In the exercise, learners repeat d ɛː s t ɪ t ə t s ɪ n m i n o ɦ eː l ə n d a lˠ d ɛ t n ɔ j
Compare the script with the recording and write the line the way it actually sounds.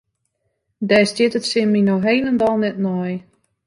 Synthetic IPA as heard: d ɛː s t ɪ t ə t s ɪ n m i n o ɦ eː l ə n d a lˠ n ɛ t n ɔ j

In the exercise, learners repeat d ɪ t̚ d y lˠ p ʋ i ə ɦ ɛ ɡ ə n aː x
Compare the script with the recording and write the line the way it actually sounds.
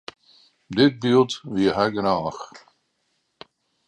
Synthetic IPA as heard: d ɪ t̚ b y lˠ t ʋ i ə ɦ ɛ ɡ ə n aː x

